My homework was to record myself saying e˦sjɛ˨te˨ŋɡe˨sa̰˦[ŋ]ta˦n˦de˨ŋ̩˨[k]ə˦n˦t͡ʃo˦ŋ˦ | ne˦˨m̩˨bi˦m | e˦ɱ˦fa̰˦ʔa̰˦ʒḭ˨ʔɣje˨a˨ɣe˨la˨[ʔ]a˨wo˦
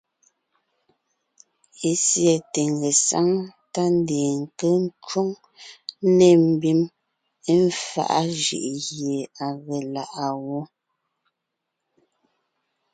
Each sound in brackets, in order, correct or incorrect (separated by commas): correct, correct, correct